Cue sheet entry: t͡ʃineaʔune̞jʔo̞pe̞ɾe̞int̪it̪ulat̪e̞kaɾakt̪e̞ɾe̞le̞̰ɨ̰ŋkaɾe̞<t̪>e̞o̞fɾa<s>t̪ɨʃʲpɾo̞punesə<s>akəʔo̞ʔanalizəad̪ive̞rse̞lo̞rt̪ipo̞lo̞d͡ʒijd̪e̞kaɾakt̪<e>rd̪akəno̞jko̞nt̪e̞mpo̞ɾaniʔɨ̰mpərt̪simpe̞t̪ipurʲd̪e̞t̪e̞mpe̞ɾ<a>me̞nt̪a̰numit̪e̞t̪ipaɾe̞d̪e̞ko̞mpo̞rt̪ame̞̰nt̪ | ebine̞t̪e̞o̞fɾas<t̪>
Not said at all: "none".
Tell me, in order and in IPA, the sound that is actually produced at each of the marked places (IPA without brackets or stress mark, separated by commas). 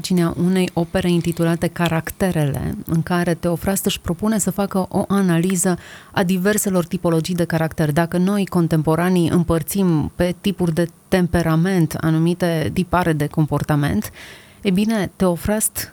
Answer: t̪, s, f, e, a, t̪